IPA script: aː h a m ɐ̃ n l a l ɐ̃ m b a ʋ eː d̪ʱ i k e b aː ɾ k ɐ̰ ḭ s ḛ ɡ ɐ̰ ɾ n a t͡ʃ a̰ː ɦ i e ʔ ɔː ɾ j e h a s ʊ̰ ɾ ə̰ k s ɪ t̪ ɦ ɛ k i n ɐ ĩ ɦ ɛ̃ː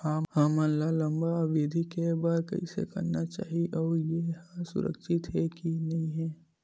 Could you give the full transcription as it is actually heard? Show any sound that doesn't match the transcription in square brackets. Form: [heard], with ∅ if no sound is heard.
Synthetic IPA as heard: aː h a m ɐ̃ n l a l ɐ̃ m b a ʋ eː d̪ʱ i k e b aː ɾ k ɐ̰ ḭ s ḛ [k] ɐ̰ ɾ n a t͡ʃ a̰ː ɦ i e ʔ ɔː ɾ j e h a s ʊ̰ ɾ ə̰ k [ʃ] ɪ t̪ ɦ ɛ k i n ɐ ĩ ɦ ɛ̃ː